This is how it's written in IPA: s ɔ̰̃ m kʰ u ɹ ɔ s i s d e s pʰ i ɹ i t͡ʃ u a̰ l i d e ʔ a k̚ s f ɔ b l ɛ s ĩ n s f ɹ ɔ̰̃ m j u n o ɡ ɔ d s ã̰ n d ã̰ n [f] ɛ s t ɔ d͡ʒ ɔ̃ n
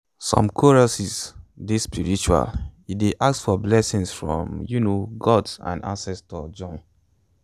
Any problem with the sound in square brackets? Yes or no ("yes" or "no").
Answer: yes